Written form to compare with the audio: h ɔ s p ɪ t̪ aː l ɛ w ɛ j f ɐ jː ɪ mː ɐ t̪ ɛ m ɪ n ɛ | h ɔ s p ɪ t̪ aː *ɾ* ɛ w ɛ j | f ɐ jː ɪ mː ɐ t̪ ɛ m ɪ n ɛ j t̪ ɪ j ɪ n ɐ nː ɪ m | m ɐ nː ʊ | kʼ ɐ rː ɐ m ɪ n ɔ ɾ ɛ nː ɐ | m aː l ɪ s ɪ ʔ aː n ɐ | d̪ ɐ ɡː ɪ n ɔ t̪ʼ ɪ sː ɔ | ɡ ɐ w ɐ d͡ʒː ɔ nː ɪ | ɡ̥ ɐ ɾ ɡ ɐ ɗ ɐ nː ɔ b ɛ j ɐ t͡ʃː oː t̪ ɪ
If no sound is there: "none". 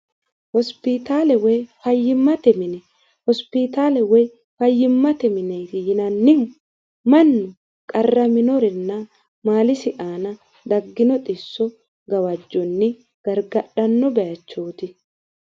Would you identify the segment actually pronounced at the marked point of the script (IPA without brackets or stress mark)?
l